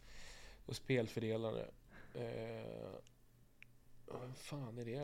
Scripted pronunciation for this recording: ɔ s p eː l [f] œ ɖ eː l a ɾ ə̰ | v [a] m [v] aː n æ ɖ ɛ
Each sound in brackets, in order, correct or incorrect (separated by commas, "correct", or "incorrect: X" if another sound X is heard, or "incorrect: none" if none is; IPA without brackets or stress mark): correct, incorrect: ɛ, incorrect: f